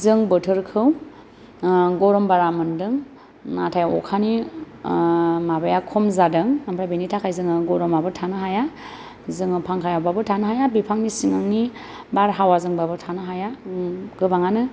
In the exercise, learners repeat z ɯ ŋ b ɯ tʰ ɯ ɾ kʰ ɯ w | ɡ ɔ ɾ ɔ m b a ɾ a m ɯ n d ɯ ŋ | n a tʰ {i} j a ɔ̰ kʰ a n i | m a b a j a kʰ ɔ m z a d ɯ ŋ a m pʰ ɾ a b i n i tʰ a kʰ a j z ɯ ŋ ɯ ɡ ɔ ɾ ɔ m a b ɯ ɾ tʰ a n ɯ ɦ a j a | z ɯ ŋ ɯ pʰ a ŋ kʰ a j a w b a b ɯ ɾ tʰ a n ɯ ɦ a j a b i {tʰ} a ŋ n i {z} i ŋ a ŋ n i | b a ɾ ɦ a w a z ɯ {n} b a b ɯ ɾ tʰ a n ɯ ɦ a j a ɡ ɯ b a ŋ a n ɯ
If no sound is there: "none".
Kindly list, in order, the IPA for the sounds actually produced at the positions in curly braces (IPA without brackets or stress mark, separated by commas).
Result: a, pʰ, s, ŋ